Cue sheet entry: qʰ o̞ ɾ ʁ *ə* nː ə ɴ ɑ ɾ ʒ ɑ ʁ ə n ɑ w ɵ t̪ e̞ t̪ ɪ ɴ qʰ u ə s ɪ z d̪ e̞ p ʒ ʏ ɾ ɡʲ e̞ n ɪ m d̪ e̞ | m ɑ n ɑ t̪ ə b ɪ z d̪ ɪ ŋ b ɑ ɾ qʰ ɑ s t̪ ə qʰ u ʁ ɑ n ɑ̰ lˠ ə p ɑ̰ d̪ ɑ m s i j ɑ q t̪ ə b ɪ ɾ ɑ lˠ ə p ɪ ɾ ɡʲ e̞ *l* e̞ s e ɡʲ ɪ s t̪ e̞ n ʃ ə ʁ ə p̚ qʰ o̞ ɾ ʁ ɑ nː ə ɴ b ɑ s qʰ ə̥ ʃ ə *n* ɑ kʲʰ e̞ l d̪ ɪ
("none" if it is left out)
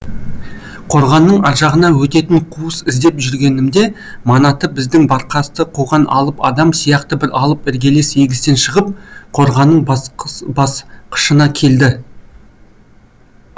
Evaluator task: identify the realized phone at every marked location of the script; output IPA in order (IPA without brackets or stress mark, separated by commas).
ɑ, l, n